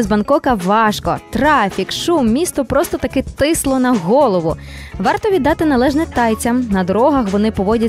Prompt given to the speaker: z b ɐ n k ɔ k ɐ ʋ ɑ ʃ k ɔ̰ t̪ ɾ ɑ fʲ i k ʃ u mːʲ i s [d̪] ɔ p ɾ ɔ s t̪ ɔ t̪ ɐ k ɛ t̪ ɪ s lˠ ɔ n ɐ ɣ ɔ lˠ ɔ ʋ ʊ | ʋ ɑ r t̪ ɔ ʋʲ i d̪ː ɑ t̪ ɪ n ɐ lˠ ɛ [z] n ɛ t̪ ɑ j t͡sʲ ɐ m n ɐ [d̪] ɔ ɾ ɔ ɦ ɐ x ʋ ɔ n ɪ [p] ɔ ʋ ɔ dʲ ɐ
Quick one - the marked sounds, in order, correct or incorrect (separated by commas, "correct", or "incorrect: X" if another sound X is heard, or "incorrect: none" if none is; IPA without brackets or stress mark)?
incorrect: t̪, incorrect: ʒ, correct, correct